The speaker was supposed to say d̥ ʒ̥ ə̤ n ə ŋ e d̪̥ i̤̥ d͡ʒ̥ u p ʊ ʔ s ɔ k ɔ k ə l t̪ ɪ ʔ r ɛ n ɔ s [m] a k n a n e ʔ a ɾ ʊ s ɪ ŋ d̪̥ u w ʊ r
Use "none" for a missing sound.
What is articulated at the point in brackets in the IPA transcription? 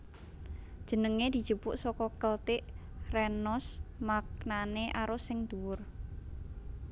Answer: m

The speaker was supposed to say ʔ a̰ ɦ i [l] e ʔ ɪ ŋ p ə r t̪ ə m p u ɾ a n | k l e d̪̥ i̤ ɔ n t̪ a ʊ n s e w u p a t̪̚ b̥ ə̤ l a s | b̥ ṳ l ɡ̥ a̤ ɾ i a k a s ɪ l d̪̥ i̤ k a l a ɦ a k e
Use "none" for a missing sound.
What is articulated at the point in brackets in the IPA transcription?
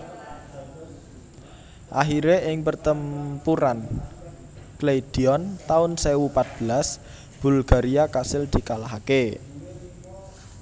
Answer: ɾ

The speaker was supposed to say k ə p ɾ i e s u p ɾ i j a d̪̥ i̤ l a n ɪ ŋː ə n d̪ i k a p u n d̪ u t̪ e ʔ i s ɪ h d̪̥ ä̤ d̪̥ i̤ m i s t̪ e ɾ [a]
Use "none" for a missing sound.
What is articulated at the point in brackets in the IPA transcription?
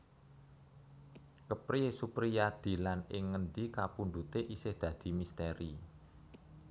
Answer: i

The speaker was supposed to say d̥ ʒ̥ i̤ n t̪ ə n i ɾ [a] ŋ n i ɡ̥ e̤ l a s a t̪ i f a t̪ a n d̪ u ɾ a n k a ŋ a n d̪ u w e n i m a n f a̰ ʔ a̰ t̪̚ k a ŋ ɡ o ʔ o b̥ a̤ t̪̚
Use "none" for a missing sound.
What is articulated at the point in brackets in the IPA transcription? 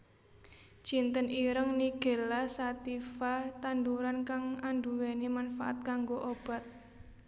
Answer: ə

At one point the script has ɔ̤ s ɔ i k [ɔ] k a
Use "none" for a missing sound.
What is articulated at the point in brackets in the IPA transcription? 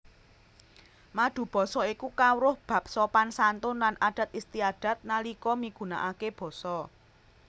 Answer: u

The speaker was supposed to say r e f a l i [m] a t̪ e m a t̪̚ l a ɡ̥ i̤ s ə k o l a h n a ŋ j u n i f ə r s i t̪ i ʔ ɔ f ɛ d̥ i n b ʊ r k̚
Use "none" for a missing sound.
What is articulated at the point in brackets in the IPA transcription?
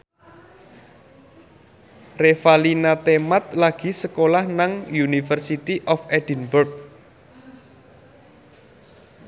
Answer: n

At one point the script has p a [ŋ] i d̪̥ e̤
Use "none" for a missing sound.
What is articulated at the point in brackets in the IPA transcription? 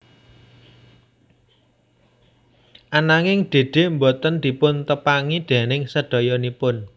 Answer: ŋ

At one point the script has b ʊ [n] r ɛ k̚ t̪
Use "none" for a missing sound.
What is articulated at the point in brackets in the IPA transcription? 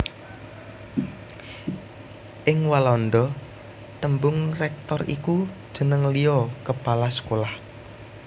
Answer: ŋ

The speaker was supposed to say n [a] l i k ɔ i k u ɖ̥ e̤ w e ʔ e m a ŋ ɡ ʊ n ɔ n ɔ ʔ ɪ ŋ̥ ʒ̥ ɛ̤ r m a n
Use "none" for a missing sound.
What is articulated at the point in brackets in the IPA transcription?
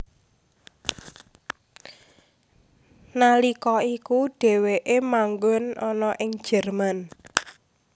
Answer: a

